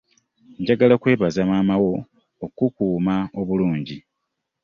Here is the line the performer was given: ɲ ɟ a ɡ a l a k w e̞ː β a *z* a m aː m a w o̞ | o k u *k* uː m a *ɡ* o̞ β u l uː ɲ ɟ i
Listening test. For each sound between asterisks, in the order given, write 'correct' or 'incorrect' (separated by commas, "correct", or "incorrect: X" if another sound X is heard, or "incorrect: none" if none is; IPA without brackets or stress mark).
correct, correct, incorrect: none